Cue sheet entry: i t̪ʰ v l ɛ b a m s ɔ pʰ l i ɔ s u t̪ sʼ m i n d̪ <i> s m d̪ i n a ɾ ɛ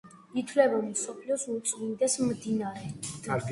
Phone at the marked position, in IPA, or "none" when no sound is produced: ɛ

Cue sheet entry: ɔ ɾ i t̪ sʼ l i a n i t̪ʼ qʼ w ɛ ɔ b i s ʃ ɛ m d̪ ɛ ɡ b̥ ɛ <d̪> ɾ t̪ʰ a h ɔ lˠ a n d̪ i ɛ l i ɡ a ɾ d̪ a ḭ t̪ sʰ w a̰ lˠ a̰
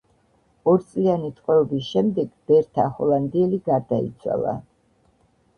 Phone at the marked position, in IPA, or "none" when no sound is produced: none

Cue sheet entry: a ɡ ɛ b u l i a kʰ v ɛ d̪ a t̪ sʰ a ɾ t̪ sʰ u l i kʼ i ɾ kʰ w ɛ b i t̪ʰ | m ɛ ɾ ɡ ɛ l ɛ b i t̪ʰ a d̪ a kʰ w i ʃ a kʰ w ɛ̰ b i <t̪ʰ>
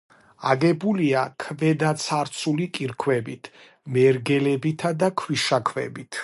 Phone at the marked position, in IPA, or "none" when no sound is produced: t̪ʰ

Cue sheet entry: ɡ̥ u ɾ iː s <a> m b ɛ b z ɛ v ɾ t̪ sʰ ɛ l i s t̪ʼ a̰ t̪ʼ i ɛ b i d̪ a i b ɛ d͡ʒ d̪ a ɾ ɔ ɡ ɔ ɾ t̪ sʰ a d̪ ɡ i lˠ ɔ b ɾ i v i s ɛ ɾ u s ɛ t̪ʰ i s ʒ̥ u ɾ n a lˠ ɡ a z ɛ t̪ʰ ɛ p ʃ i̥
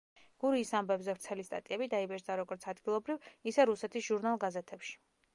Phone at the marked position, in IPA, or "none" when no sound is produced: a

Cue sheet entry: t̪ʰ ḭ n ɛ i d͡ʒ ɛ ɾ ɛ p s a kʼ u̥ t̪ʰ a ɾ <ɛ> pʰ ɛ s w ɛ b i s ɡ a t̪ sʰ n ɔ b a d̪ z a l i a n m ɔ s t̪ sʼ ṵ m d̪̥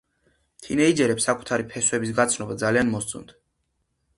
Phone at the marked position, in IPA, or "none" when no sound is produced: i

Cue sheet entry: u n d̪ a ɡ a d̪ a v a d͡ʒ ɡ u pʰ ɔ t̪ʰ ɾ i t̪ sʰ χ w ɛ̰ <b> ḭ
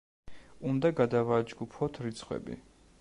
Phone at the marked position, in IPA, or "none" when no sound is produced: b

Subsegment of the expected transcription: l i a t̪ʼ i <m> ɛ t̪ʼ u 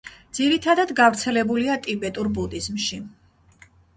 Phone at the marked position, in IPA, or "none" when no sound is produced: b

